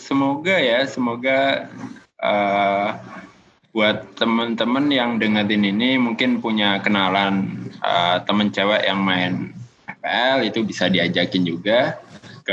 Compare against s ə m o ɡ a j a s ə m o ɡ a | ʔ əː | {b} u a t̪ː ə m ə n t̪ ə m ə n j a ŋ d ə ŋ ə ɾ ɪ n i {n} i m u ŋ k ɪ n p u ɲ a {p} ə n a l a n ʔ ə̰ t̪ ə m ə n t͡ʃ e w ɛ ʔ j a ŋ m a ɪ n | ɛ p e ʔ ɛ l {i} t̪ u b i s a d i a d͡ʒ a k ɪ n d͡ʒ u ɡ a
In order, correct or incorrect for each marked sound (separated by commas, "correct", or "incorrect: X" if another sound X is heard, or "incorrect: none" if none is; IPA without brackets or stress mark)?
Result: correct, correct, incorrect: k, correct